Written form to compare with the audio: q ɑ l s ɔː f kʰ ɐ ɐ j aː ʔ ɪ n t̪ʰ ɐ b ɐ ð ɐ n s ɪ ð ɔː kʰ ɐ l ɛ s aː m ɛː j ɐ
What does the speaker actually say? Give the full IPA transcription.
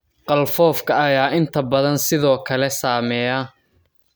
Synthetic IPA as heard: q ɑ l f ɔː f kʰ ɐ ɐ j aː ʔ ɪ n t̪ʰ ɐ b ɐ ð ɐ n s ɪ ð ɔː kʰ ɐ l ɛ s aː m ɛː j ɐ

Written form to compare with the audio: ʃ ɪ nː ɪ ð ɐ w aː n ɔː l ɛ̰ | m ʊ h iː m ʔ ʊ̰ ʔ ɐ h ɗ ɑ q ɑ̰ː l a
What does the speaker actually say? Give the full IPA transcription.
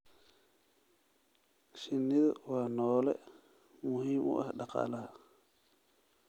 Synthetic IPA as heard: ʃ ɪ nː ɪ ð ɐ w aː n ɔː l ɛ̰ | m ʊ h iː m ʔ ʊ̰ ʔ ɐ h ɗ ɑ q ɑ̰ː l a

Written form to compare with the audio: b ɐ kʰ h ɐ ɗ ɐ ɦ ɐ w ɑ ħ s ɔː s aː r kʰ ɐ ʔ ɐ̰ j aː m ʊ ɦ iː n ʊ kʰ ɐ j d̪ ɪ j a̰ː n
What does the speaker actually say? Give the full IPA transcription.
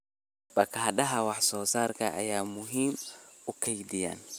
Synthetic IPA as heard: b ɐ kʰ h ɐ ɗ ɐ ɦ ɐ w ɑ ħ s ɔː s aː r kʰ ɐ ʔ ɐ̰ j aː m ʊ ɦ iː m ʊ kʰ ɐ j d̪ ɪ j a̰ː n

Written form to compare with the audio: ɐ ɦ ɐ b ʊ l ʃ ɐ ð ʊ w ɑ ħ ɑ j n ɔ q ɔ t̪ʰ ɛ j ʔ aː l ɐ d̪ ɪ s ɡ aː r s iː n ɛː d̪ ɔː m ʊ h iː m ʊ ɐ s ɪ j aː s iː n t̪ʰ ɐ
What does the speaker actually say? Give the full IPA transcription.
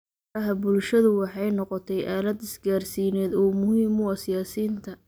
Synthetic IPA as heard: ɐ ɦ ɐ b ʊ l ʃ ɐ ð ʊ w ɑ ħ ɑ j n ɔ q ɔ t̪ʰ ɛ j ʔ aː l ɐ d̪ ɪ s ɡ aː r s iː n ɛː d̪ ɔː m ʊ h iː m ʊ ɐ s ɪ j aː s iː n t̪ʰ ɐ

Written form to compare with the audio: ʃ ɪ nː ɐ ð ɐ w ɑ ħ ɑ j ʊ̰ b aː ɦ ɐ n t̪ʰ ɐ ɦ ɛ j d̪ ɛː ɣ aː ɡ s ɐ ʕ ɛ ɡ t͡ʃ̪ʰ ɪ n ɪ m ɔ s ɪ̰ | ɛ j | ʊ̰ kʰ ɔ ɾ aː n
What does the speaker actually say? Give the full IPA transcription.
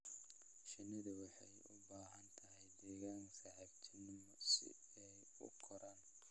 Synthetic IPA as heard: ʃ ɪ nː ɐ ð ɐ w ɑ ħ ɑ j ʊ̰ b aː ɦ ɐ n t̪ʰ ɐ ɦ ɛ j d̪ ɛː ɣ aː ŋ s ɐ ʕ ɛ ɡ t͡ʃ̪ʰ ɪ n ɪ m ɔ s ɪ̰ | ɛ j | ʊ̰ kʰ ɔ ɾ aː n

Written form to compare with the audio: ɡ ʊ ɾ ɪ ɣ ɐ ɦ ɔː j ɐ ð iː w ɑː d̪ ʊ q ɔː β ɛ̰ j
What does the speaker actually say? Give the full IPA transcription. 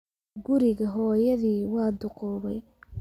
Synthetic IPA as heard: ɡ ʊ ɾ ɪ ɣ ɐ ɦ ɔː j ɐ ð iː w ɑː d̪ ʊ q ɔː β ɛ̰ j

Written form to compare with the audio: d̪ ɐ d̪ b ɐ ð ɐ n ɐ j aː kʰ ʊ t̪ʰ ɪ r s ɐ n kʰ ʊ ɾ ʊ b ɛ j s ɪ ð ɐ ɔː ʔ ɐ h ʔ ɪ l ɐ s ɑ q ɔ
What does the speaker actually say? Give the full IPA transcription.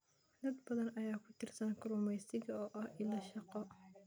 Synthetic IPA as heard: d̪ ɐ d̪ b ɐ ð ɐ n ɐ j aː kʰ ʊ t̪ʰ ɪ r s ɐ n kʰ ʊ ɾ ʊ m ɛ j s ɪ ɣ ɐ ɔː ʔ ɐ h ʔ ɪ l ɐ ʃ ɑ q ɔ

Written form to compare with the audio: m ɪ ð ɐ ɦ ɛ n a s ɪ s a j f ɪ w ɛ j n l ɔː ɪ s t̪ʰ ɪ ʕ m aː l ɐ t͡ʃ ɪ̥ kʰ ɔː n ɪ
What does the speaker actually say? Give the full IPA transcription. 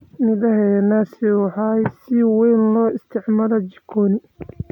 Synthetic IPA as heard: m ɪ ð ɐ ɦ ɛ n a s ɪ ħ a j s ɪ w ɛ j n l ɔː ɪ s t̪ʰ ɪ ʕ m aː l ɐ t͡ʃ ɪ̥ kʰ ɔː n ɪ

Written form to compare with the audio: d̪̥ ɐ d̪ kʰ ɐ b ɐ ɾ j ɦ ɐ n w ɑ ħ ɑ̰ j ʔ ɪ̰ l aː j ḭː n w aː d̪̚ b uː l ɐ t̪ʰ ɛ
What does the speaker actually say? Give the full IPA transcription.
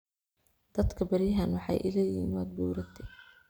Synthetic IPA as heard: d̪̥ ɐ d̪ kʰ ɐ b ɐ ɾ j ɦ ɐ n w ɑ ħ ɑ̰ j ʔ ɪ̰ l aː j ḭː n w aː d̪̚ b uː ɾ ɐ t̪ʰ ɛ

